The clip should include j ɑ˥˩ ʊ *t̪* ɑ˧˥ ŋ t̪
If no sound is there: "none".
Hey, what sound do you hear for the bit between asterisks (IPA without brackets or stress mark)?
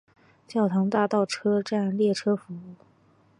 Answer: t̪ʰ